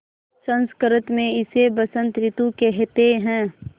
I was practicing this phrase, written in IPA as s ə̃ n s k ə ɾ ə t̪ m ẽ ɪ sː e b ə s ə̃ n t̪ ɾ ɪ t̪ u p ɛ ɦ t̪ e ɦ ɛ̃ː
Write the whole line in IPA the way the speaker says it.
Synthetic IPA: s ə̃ n s k ə ɾ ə t̪ m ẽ ɪ s e b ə s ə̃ n t̪ ɾ ɪ t̪ u k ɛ ɦ t̪ e ɦ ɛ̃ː